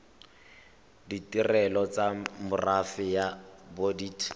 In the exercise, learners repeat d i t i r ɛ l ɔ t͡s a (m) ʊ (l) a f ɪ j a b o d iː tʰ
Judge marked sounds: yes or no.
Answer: yes, no

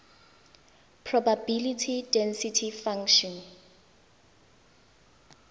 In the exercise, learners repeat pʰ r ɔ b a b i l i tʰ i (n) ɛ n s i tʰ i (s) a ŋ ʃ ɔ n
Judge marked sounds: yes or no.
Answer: no, no

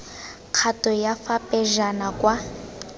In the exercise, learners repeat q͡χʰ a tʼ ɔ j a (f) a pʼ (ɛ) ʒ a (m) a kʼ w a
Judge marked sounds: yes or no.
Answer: yes, yes, no

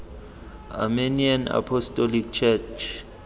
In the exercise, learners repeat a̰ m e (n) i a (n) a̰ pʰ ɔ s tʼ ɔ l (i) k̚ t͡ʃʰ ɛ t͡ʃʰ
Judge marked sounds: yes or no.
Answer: yes, yes, yes

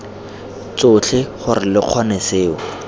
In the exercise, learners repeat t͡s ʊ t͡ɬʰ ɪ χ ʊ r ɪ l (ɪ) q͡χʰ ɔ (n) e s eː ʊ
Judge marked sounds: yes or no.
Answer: yes, yes

